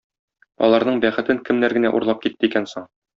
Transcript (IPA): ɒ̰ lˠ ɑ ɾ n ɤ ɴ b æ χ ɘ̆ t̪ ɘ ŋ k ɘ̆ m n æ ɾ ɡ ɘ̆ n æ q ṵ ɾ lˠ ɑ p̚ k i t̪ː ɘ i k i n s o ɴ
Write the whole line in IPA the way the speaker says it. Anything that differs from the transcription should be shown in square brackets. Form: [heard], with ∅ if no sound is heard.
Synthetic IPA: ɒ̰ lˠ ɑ ɾ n ɤ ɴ b æ χ ɘ̆ t̪ ɘ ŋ k ɘ̆ m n æ ɾ ɡ ɘ̆ n æ [ʔ] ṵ ɾ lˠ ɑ p̚ k i t̪ː ɘ i k [æ] n s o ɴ